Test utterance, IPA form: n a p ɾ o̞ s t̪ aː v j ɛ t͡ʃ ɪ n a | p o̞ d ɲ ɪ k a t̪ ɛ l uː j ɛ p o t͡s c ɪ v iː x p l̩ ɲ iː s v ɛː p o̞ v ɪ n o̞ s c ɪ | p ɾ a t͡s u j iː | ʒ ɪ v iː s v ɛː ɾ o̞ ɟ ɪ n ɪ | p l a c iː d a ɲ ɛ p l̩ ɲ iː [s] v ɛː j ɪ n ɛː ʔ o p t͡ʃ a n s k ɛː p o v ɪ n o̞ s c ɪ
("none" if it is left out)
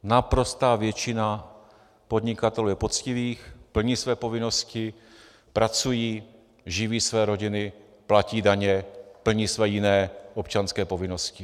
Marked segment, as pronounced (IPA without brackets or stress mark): s